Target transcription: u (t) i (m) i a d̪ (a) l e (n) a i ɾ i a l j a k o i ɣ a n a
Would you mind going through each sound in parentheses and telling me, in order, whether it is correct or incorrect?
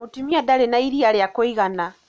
correct, correct, correct, correct

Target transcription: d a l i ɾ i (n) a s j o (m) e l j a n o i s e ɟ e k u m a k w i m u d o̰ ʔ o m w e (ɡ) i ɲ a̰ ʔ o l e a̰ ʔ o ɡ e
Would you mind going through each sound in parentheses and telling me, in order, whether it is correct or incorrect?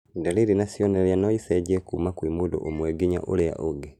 correct, incorrect, correct

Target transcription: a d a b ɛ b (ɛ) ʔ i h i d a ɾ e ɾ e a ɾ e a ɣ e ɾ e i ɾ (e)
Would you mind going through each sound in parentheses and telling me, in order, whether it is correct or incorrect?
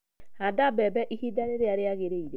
correct, correct

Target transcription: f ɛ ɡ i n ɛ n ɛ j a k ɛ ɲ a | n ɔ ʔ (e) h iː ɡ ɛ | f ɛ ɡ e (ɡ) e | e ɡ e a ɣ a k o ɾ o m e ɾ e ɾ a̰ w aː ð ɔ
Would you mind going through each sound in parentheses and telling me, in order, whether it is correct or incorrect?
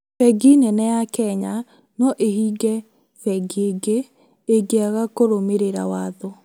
correct, correct

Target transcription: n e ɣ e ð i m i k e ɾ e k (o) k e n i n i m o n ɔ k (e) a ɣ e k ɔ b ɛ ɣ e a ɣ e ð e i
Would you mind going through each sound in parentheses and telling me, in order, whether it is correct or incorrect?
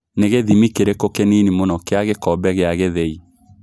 correct, correct

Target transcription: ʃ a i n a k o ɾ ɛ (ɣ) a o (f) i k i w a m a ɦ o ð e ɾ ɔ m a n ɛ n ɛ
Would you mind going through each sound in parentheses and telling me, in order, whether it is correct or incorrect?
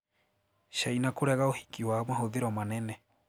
correct, incorrect

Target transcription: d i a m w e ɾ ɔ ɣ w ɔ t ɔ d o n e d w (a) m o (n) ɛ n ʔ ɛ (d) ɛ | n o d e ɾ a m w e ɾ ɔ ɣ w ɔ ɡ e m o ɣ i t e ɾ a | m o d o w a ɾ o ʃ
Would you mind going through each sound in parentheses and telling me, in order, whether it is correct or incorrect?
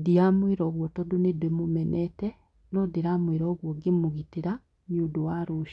incorrect, incorrect, incorrect

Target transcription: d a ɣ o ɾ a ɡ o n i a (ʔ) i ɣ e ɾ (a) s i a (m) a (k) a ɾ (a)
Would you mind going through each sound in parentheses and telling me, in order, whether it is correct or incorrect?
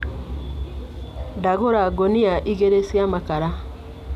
correct, incorrect, correct, correct, correct

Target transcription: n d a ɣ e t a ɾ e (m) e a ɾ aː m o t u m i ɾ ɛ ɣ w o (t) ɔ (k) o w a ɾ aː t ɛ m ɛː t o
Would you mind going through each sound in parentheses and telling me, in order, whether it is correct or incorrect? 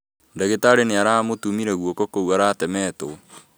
incorrect, incorrect, correct

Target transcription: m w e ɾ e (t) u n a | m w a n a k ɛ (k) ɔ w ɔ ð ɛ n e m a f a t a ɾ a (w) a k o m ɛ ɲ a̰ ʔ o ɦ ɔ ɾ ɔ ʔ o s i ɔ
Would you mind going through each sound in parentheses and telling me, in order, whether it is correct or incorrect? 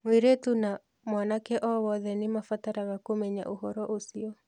correct, incorrect, incorrect

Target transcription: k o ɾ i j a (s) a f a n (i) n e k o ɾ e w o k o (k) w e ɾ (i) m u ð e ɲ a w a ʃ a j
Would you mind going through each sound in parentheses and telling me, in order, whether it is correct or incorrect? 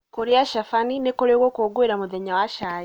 incorrect, correct, incorrect, incorrect

